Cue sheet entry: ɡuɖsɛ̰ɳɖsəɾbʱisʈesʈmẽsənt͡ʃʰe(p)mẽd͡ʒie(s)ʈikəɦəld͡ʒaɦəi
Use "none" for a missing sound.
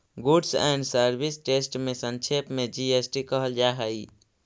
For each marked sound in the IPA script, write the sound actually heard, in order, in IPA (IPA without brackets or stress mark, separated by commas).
p, s